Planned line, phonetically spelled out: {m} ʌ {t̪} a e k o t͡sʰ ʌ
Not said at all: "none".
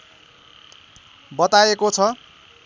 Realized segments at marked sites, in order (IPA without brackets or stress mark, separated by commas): b, t̪